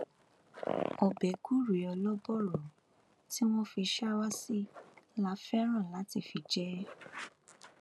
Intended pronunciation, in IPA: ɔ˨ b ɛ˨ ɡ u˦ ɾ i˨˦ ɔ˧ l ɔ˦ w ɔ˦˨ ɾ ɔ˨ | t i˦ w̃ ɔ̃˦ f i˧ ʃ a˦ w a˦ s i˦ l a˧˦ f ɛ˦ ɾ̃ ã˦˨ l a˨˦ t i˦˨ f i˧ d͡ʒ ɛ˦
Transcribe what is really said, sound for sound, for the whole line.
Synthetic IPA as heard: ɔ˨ b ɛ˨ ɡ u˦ ɾ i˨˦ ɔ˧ l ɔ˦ b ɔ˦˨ ɾ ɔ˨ | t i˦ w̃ ɔ̃˦ f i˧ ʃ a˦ w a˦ s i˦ l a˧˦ f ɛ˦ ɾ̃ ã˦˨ l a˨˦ t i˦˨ f i˧ d͡ʒ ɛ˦